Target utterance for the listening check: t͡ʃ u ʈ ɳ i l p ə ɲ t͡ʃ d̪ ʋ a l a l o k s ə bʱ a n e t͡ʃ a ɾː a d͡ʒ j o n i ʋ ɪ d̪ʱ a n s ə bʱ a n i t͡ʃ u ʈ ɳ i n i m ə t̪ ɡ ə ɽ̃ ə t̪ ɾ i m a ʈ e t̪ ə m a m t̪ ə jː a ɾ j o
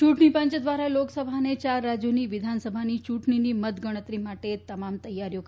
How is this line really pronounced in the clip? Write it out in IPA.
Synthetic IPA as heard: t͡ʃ u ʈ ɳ i p ə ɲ t͡ʃ d̪ ʋ a ɾ a l o k s ə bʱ a n e t͡ʃ a ɾː a d͡ʒ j o n i ʋ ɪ d̪ʱ a n s ə bʱ a n i t͡ʃ u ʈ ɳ i n i m ə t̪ ɡ ə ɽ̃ ə t̪ ɾ i m a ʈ e t̪ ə m a m t̪ ə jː a ɾ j o